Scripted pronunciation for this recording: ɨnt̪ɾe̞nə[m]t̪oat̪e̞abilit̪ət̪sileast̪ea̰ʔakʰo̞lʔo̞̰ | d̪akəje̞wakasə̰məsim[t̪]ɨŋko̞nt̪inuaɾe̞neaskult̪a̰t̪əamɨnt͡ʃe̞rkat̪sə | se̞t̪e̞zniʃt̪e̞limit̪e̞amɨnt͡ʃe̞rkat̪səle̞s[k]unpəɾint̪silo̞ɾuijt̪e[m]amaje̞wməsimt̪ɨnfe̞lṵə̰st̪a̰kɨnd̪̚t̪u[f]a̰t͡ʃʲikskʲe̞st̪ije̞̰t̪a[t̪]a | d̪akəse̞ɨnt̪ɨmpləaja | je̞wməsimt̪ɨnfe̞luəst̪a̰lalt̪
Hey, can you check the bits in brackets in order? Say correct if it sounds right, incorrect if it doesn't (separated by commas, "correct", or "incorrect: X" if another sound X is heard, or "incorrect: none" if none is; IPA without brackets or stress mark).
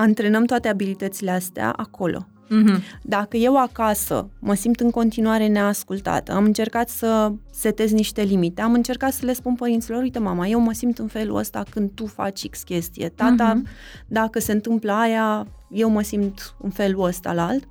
correct, correct, incorrect: p, correct, correct, correct